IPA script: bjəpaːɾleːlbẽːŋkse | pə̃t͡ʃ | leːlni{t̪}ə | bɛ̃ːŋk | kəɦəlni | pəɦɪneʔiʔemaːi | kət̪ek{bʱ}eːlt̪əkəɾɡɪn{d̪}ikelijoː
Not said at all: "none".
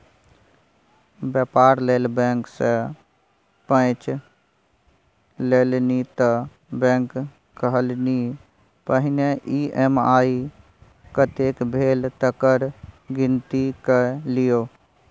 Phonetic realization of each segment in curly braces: t̪, bʱ, t̪

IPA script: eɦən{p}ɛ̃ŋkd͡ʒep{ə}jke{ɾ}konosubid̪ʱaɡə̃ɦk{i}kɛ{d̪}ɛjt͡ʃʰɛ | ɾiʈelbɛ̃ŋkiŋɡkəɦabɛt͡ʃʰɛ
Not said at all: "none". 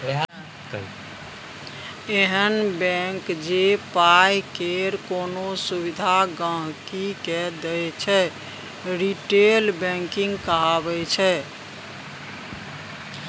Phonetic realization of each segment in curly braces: b, a, ɾ, i, d̪

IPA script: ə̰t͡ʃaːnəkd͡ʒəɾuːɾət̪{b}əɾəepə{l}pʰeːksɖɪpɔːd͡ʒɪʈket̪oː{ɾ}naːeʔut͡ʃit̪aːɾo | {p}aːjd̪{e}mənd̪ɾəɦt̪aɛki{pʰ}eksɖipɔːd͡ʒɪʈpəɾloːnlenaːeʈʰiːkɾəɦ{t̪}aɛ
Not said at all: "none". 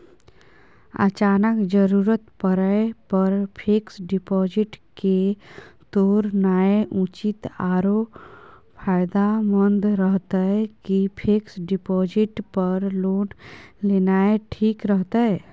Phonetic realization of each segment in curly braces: p, ɾ, ɾ, pʰ, a, pʰ, t̪

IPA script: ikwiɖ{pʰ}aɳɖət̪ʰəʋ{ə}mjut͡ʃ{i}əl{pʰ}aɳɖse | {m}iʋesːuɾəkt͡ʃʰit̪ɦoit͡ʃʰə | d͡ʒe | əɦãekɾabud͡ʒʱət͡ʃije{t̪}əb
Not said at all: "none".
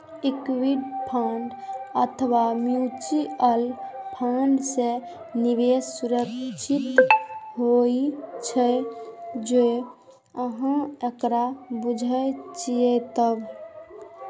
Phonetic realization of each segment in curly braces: pʰ, a, i, pʰ, n, t̪

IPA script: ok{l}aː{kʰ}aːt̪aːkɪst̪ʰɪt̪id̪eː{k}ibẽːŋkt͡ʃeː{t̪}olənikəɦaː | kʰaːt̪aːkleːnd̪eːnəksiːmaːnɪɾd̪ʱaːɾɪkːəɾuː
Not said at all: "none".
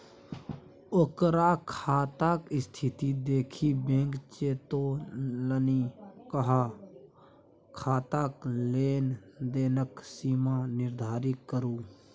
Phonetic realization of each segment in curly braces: ɾ, kʰ, kʰ, t̪

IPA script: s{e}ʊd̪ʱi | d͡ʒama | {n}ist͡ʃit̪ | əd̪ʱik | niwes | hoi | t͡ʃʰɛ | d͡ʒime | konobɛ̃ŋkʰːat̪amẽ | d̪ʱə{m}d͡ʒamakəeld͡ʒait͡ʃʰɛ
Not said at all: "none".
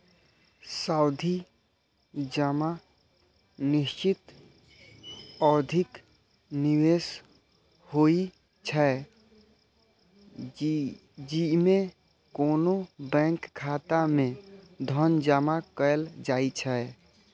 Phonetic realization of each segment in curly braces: a, n, n

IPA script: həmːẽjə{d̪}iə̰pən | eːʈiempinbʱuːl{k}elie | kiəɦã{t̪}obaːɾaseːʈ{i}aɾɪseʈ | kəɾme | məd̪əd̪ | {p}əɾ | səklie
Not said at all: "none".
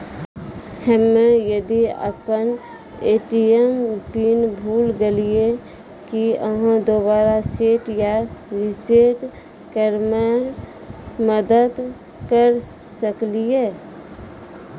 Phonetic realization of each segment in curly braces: d̪, ɡ, d̪, j, k

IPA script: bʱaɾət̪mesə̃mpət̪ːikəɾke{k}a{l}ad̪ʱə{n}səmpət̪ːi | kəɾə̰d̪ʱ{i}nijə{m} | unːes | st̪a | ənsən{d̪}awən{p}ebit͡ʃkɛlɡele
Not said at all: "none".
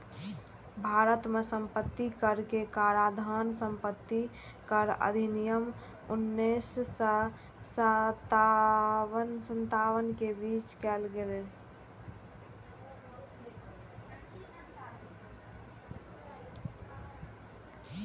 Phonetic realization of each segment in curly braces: k, ɾ, n, i, m, t̪, k

